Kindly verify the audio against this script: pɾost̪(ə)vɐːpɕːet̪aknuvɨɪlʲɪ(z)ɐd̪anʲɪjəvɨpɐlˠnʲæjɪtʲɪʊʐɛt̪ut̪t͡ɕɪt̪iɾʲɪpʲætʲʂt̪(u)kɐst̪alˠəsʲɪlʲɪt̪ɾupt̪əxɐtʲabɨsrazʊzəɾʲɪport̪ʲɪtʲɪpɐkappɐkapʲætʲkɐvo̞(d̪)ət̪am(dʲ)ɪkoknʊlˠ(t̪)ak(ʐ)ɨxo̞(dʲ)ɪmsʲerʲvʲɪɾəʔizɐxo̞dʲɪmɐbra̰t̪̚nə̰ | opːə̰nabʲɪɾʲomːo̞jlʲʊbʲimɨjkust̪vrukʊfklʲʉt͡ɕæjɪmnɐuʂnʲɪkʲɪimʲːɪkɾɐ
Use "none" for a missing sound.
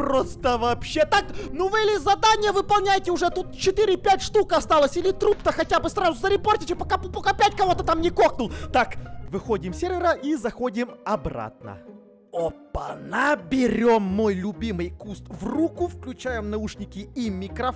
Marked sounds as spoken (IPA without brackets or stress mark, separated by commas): ə, z, u, t̪, nʲ, t̪, v, dʲ